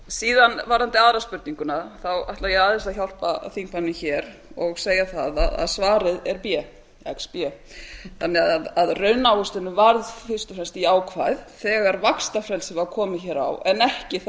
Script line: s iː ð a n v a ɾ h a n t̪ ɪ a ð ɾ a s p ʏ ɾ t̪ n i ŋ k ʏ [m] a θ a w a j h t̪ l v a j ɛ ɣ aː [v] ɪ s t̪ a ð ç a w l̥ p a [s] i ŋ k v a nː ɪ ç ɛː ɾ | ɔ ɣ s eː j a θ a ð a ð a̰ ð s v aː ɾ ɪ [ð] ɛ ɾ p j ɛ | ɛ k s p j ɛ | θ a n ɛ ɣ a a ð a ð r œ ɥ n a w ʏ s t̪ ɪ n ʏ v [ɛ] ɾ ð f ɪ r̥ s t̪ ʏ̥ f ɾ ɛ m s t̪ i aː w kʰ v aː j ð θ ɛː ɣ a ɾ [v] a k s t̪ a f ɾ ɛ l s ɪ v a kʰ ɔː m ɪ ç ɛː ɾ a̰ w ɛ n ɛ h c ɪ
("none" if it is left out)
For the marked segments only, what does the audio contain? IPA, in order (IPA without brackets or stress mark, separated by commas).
n, ð, θ, ð, a, v